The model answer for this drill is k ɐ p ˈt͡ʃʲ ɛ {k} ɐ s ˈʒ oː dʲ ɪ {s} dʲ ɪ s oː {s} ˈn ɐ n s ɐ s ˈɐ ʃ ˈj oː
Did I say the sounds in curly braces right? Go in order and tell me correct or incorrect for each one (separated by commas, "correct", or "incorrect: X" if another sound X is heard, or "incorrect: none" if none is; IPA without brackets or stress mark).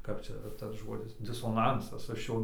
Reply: incorrect: t, correct, incorrect: none